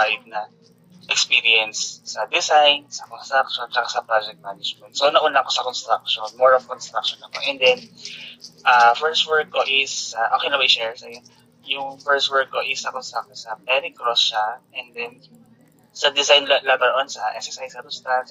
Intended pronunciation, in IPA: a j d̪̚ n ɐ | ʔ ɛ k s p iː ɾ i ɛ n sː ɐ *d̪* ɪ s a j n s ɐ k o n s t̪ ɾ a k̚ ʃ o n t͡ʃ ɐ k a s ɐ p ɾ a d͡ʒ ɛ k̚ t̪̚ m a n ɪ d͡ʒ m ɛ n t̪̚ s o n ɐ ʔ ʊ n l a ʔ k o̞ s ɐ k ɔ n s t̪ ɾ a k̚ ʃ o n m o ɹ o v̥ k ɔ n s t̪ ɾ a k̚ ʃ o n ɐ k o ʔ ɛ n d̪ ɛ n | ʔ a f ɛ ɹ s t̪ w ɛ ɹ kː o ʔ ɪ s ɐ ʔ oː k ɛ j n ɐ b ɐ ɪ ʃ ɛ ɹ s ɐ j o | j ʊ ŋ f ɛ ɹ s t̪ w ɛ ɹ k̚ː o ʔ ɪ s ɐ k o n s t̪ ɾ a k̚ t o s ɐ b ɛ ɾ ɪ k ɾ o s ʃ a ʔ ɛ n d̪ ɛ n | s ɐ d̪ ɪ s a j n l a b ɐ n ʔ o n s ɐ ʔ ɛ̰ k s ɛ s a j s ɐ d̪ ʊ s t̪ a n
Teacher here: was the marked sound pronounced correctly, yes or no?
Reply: yes